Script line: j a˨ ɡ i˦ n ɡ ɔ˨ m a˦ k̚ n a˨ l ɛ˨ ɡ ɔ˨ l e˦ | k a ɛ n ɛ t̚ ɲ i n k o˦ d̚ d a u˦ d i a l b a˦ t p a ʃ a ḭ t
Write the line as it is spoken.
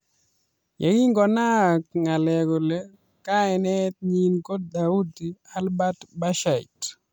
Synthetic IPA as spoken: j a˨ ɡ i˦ ŋ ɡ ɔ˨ n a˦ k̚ ŋ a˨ l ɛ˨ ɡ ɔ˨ l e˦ | k a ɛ n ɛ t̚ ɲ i n k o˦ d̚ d a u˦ d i a l b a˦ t b a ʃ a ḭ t